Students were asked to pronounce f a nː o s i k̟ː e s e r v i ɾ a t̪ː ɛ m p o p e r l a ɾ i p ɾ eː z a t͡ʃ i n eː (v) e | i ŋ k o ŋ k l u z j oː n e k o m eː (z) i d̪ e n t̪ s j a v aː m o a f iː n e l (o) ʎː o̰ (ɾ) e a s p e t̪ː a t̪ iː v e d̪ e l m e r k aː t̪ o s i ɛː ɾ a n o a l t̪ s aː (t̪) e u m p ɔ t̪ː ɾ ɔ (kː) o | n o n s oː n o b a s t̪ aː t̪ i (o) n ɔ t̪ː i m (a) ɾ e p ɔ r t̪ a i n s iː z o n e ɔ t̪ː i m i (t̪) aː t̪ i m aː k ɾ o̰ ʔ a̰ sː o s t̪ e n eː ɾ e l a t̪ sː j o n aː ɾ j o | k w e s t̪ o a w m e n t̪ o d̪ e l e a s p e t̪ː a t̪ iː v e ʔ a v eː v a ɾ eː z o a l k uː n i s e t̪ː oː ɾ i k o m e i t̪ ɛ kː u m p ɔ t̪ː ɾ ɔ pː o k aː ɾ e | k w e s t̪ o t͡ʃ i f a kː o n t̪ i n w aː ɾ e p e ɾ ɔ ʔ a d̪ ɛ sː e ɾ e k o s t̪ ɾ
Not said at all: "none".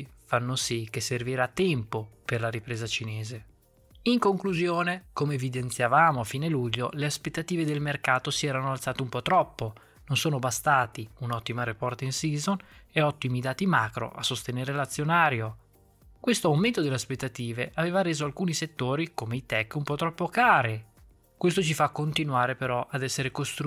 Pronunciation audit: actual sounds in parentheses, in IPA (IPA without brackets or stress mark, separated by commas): z, v, u, l, t̪, pː, u, a, d̪